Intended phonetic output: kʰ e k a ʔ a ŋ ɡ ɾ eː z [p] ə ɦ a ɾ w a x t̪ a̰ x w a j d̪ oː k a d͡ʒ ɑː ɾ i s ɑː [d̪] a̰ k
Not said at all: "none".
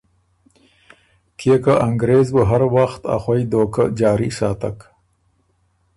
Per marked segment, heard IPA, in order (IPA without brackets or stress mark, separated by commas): b, t̪